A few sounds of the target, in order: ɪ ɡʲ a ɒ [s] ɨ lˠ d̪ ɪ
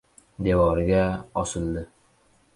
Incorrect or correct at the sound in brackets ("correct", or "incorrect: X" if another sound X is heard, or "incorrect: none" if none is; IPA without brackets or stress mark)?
correct